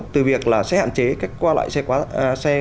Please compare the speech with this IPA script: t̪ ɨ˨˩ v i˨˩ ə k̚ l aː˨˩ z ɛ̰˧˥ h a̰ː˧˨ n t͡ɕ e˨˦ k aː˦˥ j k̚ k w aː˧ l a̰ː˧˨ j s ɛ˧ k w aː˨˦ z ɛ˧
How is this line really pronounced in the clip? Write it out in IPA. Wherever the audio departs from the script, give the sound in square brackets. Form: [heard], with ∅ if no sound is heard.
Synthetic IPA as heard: t̪ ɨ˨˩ v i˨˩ ə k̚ l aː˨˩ [s] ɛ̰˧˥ h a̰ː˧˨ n t͡ɕ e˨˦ k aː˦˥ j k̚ k w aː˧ l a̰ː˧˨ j s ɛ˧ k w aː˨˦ [s] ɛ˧